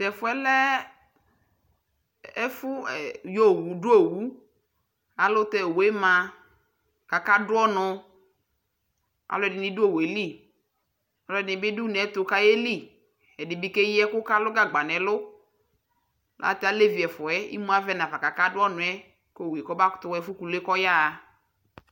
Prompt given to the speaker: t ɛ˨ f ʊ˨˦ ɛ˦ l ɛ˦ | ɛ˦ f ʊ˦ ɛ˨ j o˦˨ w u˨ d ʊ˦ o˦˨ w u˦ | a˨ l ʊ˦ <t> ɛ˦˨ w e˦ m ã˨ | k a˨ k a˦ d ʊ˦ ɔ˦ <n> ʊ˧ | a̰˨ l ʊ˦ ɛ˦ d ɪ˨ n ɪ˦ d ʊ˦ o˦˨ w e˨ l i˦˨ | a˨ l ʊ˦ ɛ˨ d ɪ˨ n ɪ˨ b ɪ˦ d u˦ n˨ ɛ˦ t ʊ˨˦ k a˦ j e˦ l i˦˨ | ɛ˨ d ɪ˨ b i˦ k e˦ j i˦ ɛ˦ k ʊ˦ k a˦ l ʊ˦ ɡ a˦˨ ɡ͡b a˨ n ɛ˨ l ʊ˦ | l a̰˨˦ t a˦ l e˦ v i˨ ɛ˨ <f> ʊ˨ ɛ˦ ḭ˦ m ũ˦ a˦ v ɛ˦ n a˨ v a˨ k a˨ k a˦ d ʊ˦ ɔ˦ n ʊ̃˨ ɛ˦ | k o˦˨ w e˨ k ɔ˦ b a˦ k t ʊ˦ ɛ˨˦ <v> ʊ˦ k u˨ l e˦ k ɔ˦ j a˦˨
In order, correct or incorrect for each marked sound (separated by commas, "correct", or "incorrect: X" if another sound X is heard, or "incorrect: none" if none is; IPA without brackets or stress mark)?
correct, correct, correct, incorrect: f